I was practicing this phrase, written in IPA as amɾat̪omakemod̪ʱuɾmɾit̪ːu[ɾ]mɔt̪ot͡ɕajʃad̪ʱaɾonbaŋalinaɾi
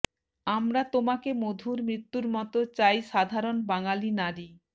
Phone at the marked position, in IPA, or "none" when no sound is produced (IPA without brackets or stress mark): ɾ